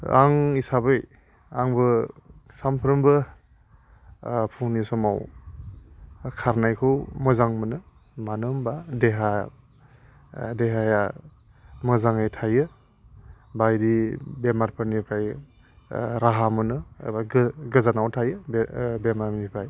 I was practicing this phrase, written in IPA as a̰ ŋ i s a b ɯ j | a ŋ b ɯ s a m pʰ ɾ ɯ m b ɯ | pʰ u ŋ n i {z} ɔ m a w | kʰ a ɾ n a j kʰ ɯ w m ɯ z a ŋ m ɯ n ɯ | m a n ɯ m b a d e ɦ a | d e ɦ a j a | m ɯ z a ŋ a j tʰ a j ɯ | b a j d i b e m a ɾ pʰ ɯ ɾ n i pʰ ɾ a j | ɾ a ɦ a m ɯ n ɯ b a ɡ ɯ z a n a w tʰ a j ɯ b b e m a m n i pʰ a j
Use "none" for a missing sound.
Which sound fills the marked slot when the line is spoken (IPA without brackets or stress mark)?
s